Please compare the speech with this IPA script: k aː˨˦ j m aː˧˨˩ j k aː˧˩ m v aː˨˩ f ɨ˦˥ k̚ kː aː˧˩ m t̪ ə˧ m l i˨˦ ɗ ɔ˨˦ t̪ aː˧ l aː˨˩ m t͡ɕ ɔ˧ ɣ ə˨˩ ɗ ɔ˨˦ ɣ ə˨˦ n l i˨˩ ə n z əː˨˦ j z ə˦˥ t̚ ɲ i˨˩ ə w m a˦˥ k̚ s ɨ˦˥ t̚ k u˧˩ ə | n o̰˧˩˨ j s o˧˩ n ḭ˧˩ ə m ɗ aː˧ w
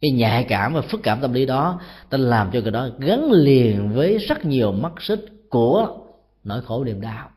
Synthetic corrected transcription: k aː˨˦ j ɲ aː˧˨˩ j k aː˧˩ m v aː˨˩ f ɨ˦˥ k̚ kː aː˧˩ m t̪ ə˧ m l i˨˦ ɗ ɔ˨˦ t̪ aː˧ l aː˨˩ m t͡ɕ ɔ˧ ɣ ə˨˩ ɗ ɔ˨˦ ɣ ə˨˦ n l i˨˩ ə n v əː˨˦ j z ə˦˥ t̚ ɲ i˨˩ ə w m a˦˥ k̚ s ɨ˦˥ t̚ k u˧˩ ə | n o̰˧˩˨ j x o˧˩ n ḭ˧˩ ə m ɗ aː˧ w